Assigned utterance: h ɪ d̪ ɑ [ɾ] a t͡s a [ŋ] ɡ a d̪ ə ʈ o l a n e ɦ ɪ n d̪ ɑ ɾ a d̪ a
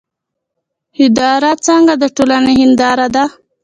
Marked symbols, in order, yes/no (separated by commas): yes, yes